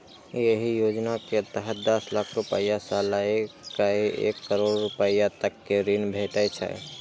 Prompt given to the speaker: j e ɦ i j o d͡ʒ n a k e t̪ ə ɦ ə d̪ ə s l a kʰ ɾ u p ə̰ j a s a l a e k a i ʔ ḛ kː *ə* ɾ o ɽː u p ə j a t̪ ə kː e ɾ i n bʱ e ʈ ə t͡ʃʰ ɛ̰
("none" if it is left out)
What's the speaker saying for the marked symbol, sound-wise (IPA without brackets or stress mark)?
ə